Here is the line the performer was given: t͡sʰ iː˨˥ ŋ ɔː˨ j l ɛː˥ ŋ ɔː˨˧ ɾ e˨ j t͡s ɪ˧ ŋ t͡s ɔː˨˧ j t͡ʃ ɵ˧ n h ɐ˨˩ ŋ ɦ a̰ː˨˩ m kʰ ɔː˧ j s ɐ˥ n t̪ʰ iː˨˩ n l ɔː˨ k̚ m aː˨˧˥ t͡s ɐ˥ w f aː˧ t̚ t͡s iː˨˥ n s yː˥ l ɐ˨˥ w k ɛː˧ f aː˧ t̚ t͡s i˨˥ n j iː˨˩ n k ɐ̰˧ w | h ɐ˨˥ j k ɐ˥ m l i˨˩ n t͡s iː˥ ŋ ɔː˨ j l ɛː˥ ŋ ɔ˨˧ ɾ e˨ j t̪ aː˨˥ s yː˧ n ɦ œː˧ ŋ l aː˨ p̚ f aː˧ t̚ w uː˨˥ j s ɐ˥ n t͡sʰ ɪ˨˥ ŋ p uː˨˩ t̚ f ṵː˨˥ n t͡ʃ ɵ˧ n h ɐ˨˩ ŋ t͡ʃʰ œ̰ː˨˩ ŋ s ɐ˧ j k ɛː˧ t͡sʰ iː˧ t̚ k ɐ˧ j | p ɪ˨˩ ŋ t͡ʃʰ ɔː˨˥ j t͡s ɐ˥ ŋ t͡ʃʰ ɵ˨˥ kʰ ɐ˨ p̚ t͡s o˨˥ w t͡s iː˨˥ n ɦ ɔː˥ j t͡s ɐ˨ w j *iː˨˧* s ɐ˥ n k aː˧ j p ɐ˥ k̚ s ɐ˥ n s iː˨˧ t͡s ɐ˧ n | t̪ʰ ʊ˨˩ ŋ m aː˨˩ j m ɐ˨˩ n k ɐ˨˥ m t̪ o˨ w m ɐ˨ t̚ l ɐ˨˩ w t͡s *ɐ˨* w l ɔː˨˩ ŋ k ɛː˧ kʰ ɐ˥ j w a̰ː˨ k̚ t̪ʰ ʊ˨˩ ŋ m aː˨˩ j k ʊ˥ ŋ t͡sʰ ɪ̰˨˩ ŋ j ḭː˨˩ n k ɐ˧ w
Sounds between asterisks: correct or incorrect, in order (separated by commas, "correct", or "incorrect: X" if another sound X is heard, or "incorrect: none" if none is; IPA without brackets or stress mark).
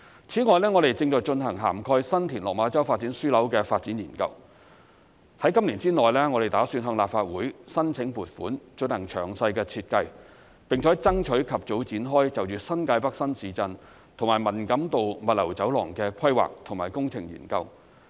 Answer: incorrect: yː˨˧, incorrect: ɐ˨˥